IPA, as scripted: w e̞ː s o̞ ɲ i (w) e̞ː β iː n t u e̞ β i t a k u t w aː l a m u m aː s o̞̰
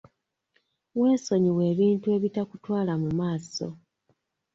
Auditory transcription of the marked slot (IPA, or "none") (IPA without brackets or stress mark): w